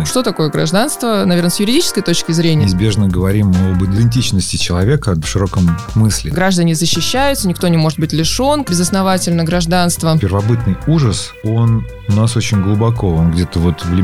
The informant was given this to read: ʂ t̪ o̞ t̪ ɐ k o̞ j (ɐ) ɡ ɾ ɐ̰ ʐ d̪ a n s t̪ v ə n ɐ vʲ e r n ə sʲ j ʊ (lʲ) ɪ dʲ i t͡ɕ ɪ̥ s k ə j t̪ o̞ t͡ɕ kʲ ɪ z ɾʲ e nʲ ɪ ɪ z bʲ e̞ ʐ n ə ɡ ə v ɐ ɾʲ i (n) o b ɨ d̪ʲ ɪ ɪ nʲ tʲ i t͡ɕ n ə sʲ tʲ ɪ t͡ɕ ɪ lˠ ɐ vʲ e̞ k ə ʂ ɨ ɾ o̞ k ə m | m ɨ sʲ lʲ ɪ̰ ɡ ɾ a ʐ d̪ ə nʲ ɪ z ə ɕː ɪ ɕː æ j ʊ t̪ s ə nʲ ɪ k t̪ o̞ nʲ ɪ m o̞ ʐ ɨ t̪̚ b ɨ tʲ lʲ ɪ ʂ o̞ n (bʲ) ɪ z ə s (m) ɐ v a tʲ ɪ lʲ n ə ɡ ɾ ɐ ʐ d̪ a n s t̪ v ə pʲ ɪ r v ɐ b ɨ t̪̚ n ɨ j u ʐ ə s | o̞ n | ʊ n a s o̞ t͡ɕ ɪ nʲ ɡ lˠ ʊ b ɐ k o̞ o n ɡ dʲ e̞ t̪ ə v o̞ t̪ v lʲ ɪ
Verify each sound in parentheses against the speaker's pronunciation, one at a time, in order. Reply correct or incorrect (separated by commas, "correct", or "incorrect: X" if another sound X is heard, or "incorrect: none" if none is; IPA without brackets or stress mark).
incorrect: ə, incorrect: ɾʲ, incorrect: m, correct, incorrect: n